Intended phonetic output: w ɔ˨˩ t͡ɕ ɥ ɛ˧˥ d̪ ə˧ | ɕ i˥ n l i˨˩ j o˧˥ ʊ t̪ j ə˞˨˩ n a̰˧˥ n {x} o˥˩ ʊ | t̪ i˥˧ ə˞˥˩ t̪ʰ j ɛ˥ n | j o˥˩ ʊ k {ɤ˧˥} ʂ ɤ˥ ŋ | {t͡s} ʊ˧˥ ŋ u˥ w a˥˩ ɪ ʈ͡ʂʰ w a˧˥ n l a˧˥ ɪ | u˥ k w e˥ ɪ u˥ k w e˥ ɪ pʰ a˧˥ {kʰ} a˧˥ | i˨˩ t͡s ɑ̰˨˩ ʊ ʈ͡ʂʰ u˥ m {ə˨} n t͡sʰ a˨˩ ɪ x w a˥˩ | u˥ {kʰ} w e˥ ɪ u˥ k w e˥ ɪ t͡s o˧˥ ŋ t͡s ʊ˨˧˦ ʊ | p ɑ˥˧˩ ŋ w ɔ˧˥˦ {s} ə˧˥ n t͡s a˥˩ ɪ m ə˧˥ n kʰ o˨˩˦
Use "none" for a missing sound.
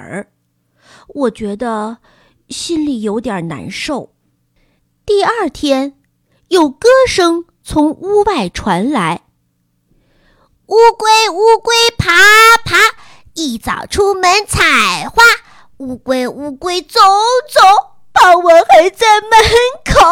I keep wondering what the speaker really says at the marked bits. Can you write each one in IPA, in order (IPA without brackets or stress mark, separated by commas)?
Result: ʂ, ɤ˥, t͡sʰ, pʰ, ə˧˥, k, x